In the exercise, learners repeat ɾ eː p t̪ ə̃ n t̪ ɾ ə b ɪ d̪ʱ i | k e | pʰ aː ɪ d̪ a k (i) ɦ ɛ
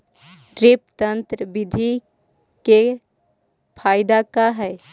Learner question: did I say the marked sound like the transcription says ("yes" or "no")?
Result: no